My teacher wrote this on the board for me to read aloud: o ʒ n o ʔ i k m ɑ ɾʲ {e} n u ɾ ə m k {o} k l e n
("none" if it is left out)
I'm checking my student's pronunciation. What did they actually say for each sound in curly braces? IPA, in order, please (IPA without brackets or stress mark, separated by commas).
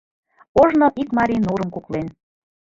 i, u